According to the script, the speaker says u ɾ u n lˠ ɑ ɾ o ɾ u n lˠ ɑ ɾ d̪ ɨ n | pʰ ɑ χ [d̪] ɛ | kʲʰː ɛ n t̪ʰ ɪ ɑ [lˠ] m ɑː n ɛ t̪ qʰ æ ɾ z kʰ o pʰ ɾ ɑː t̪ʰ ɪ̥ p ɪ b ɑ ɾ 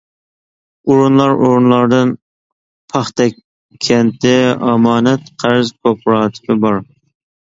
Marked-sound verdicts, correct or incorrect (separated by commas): incorrect, incorrect